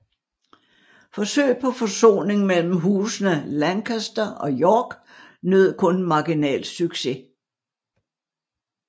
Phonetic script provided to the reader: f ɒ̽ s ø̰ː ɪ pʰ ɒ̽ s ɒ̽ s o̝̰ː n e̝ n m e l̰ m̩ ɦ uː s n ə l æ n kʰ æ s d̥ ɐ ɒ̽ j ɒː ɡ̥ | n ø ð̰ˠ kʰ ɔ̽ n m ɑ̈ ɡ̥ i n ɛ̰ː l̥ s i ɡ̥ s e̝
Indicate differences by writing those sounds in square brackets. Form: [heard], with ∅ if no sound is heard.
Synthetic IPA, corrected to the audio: f ɒ̽ s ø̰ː ɪ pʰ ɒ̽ [f] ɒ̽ s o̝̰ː n e̝ [ŋ] m e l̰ m̩ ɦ uː s n ə l æ n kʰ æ s d̥ ɐ ɒ̽ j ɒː ɡ̥ | n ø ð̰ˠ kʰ ɔ̽ n m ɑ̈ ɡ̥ i n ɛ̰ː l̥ s [y] ɡ̥ s e̝